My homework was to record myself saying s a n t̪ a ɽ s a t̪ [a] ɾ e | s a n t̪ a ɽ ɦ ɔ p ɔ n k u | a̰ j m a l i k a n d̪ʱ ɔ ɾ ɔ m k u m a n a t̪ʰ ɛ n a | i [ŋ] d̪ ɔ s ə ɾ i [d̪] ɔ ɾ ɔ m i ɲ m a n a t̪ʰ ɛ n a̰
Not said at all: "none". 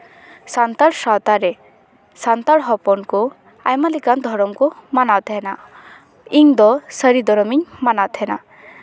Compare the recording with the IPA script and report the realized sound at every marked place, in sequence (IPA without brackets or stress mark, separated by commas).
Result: a, ŋ, d̪